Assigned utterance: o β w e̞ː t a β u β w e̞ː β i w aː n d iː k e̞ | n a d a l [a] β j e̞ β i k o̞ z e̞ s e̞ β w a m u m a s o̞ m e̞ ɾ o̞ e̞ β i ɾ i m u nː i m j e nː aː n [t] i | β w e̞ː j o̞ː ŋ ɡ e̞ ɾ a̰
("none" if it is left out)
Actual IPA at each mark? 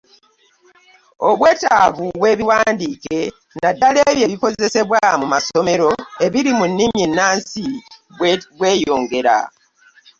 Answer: e, s

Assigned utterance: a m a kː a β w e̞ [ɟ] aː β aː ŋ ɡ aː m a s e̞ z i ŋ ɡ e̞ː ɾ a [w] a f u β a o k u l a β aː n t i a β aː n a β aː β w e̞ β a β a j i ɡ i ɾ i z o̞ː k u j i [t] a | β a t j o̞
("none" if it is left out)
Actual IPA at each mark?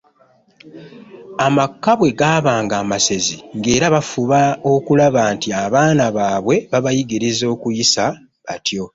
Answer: ɡ, β, s

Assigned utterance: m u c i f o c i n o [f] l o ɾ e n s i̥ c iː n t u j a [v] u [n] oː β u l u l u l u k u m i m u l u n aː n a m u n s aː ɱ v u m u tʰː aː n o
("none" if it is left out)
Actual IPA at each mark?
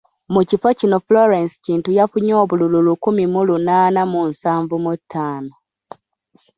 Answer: f, f, ɲ

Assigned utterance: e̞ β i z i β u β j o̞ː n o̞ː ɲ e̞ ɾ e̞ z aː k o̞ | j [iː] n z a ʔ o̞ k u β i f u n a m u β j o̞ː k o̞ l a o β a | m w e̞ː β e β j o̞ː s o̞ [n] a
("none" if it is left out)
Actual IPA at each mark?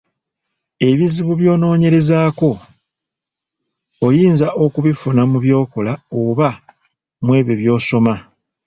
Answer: iː, m

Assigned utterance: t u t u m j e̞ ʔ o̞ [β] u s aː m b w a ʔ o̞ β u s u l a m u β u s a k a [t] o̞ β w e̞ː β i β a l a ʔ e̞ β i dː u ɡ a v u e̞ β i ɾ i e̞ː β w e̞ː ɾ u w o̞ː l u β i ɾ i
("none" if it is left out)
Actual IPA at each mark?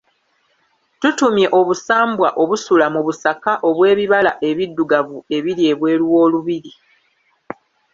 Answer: β, ʔ

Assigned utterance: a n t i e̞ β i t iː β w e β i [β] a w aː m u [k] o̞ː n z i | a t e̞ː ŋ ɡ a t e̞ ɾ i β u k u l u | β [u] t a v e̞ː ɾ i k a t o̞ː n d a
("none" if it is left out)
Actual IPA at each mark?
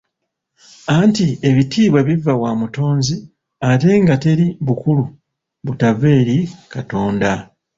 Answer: v, t, u

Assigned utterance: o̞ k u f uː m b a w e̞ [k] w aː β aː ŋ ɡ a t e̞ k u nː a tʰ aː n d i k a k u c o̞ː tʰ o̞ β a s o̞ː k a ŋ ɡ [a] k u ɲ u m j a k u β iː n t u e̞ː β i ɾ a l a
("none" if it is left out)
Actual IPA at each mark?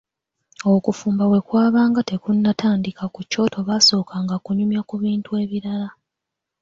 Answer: k, a

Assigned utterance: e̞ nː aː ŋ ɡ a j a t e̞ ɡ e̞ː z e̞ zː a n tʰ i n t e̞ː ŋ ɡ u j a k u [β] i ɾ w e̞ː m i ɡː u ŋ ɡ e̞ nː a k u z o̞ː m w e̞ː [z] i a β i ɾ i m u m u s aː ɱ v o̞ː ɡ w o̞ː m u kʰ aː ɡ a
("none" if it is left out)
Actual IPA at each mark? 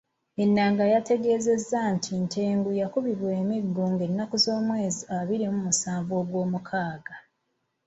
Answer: β, z

